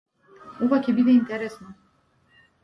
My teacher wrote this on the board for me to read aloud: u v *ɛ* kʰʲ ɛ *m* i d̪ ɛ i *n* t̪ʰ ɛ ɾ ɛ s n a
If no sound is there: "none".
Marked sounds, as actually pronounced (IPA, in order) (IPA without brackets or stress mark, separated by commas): a, b, n